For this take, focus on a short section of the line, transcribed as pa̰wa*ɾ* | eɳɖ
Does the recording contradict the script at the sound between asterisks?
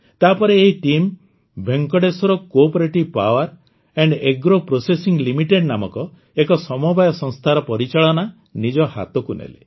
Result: no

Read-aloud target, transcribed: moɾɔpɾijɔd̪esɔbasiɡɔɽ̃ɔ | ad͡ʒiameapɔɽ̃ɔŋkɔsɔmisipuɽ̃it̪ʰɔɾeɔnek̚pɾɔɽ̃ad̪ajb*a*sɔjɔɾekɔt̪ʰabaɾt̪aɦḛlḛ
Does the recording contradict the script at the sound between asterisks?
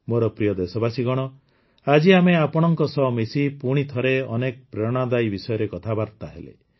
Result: yes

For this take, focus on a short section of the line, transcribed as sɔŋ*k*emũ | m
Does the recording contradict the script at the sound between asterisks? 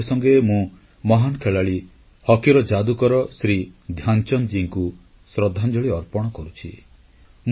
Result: yes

